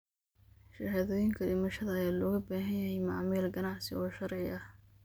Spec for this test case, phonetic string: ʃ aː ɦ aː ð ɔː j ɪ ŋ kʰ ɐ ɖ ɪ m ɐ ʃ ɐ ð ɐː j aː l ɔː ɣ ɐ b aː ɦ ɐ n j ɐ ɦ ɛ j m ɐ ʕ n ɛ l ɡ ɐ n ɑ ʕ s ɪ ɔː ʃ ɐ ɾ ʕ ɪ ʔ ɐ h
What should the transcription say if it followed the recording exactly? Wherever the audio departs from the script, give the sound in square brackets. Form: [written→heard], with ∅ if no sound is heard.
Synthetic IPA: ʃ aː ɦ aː ð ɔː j ɪ ŋ kʰ ɐ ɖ ɪ m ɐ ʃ ɐ ð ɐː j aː l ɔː ɣ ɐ b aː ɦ ɐ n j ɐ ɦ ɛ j m [ɐ→ɑ] ʕ [n→m] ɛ l ɡ ɐ n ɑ ʕ s ɪ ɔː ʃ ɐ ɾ ʕ ɪ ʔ ɐ h